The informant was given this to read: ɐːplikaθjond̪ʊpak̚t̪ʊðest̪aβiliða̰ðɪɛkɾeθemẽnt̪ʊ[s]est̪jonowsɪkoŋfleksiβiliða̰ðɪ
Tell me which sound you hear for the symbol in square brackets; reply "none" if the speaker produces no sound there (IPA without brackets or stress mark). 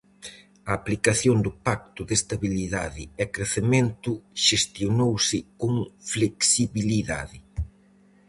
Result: ʃ